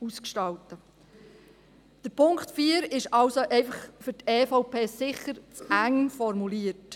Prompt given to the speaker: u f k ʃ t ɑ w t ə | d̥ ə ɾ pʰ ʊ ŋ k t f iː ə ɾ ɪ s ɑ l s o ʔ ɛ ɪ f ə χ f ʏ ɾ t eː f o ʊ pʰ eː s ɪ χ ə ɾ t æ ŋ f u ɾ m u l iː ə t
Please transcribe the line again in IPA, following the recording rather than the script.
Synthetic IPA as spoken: u s k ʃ t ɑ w t ə | d̥ ə ɾ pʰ ʊ ŋ k t f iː ə ɾ ɪ ʃ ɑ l s o ʔ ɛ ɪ f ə χ f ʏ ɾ t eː f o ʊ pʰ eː s ɪ χ ə ɾ t͡s æ ŋ f ɔ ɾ m u l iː ə t